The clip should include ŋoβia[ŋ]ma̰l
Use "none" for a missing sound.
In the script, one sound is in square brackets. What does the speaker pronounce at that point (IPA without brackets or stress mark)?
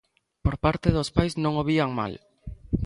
ŋ